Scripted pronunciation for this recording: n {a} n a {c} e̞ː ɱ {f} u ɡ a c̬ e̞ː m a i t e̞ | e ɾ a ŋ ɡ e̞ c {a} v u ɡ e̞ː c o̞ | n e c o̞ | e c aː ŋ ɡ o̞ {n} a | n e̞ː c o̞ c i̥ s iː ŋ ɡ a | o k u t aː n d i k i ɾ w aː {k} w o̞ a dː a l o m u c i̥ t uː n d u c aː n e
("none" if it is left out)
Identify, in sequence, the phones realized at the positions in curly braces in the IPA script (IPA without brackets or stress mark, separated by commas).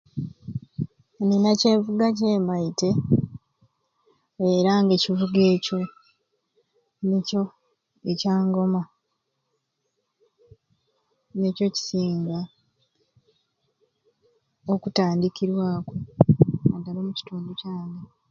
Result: i, c, v, i, m, k